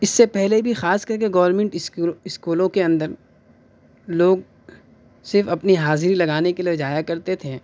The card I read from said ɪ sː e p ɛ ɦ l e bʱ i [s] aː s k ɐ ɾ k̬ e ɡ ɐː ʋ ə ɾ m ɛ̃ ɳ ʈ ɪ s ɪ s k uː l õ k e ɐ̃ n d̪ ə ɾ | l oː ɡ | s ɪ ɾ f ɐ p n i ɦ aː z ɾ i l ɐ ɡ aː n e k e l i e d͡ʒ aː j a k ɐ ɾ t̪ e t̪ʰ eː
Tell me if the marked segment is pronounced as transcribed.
no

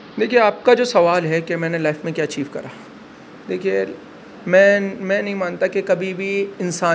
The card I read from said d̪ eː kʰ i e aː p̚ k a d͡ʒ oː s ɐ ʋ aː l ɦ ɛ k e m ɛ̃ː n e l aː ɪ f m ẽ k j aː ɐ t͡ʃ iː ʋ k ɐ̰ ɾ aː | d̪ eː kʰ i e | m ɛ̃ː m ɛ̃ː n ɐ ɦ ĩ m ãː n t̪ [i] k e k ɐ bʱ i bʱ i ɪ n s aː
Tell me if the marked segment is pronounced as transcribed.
no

